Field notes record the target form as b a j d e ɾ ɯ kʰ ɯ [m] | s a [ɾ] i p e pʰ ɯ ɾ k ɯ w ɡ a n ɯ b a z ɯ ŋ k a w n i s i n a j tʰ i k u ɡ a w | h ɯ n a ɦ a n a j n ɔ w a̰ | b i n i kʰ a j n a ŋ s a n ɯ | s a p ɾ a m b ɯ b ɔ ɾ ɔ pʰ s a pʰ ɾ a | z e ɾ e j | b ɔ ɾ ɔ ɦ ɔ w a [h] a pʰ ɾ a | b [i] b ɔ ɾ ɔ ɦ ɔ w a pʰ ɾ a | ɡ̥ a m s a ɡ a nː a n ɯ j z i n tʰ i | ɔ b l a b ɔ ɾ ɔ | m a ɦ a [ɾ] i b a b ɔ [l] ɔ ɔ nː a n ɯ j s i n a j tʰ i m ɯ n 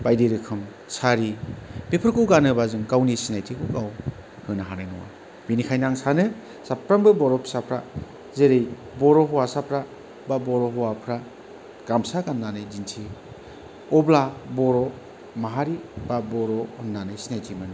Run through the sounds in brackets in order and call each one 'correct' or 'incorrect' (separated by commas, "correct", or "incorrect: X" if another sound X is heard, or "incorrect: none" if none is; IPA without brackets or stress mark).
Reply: correct, correct, incorrect: s, incorrect: a, correct, incorrect: ɾ